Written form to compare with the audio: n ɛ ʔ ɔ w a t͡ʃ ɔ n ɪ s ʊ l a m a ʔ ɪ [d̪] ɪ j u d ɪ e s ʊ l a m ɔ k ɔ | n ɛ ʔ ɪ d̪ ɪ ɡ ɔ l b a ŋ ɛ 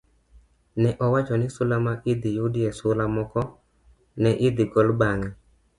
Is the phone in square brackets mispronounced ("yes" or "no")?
no